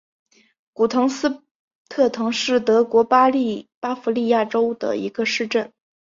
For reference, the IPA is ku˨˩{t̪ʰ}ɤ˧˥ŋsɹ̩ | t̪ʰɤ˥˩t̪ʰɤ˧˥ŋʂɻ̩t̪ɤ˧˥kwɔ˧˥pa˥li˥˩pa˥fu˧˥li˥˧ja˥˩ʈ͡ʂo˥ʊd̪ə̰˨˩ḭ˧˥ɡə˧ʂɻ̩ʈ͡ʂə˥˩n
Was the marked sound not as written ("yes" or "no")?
no